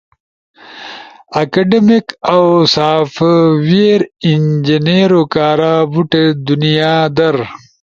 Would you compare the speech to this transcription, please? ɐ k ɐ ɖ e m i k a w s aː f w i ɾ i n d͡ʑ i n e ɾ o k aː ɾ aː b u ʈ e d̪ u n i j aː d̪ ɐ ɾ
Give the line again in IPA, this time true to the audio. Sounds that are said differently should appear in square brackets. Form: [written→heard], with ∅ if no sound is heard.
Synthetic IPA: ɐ k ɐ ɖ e m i k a w s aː f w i ɾ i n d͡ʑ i n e ɾ o k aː ɾ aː b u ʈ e d̪ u n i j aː d̪ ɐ ɾ